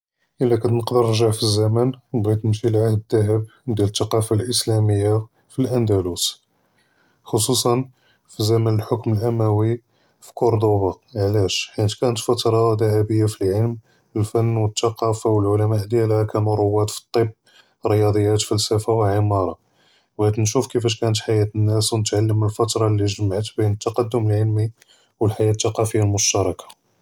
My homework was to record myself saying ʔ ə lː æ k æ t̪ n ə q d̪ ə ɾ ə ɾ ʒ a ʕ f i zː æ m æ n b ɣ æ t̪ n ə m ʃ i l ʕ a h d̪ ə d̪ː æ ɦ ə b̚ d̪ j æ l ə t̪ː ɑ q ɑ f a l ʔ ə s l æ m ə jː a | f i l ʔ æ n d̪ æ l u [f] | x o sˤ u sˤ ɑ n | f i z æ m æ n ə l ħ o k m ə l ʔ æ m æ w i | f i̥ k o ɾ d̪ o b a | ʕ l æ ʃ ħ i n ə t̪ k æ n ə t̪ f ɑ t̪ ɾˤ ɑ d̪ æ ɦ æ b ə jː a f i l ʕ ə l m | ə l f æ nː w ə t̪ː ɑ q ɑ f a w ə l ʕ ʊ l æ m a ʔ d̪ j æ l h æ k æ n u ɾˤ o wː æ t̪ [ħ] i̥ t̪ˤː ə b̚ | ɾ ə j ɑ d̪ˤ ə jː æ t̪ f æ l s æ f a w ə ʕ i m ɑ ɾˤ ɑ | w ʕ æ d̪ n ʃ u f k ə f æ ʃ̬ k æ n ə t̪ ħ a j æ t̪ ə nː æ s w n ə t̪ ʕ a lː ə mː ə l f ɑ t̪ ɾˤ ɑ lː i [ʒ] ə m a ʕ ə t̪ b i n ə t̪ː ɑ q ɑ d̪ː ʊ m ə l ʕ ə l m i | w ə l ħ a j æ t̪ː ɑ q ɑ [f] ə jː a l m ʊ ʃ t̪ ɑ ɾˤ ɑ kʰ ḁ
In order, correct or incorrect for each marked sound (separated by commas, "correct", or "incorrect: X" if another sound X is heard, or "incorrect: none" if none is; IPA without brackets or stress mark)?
incorrect: s, incorrect: f, correct, correct